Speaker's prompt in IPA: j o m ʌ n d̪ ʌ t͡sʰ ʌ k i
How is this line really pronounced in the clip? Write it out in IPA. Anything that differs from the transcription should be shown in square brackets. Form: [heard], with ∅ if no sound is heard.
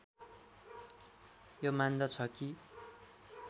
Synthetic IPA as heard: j o m [a] n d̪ ʌ t͡sʰ ʌ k i